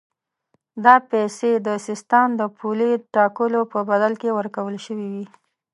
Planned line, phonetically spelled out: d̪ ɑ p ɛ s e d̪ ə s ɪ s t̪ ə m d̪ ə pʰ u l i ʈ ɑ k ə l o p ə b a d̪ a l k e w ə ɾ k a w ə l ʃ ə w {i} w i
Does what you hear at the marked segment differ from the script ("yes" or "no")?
no